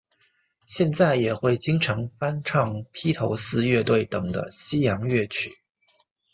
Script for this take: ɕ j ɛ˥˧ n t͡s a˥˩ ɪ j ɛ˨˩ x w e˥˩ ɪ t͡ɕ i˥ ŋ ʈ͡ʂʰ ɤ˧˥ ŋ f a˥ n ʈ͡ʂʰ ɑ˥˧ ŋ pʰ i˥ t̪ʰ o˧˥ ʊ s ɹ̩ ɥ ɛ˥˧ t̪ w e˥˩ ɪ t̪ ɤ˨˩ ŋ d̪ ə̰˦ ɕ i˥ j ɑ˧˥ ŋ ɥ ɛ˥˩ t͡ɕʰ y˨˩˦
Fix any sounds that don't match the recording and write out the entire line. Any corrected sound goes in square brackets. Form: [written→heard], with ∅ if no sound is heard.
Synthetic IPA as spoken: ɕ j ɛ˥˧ n t͡s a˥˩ ɪ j ɛ˨˩ x w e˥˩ ɪ t͡ɕ i˥ ŋ ʈ͡ʂʰ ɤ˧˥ ŋ f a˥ n ʈ͡ʂʰ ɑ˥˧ ŋ pʰ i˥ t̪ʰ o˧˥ ʊ s ɹ̩ ɥ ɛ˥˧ t̪ w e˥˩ ɪ t̪ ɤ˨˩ ŋ d̪ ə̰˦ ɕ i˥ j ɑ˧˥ ŋ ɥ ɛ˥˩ t͡ɕʰ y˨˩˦